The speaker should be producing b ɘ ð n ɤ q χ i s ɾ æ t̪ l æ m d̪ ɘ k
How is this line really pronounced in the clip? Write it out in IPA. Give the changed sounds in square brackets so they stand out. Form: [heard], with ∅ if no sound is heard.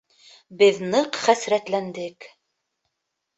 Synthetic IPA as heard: b ɘ ð n ɤ q χ [æ] s ɾ æ t̪ l æ [n] d̪ ɘ k